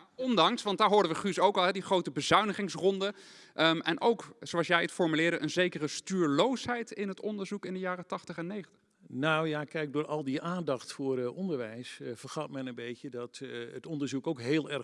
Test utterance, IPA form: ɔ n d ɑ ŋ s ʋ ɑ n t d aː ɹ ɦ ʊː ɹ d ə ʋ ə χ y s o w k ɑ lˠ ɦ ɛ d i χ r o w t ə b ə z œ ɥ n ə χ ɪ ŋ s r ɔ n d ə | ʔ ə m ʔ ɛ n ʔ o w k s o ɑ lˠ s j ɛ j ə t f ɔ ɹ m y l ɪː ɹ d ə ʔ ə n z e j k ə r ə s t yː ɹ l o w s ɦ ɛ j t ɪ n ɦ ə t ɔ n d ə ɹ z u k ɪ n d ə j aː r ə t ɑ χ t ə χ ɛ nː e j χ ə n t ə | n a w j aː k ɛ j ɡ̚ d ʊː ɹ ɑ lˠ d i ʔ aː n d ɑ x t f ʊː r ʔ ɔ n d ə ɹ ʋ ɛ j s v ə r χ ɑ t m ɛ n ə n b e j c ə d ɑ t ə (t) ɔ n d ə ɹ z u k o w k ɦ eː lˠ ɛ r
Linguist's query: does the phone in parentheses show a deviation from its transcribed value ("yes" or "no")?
no